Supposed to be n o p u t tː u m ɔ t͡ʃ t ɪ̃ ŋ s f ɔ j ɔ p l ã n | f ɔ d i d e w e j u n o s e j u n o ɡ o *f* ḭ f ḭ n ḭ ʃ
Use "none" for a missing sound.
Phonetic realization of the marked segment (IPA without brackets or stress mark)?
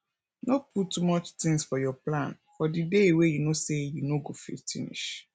f